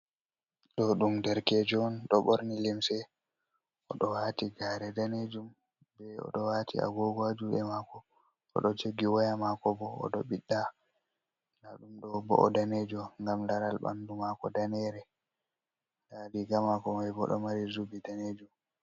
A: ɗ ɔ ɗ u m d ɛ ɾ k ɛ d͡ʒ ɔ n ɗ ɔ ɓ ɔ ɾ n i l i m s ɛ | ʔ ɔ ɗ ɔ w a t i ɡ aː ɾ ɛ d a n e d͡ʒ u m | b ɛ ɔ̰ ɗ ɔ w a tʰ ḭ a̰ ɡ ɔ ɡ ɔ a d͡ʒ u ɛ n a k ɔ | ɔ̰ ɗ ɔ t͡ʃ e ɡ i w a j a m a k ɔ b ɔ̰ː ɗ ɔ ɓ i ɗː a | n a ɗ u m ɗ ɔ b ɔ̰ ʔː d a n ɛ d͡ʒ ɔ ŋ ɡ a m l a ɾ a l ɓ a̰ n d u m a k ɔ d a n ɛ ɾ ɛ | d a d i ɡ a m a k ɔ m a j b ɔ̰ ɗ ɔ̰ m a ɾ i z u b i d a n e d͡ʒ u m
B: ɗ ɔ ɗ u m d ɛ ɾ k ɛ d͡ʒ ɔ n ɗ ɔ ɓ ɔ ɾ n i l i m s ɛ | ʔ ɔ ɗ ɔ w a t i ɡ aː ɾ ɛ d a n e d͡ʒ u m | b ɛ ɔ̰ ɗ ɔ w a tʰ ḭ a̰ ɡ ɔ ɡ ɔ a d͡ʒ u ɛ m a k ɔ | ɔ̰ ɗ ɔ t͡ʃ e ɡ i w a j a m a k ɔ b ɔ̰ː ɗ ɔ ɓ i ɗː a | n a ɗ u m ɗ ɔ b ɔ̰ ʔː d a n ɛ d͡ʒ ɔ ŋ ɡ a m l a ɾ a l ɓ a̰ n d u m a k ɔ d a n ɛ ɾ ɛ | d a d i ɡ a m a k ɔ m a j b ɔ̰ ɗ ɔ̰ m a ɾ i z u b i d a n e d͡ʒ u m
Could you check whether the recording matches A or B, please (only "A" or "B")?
B